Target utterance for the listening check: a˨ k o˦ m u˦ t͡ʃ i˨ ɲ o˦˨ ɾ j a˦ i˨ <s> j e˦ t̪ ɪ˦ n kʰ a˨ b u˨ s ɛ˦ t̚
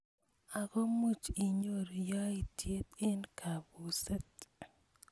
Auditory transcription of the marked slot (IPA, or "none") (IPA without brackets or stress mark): t